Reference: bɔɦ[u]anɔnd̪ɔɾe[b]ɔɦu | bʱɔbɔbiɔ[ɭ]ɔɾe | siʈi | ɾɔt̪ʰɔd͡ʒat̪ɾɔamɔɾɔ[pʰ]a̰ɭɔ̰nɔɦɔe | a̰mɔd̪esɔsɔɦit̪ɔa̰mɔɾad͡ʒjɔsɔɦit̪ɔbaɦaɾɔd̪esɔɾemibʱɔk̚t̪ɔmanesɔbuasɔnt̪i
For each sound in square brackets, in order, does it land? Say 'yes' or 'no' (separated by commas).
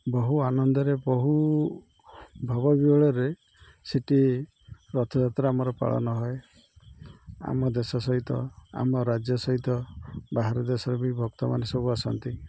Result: yes, yes, yes, no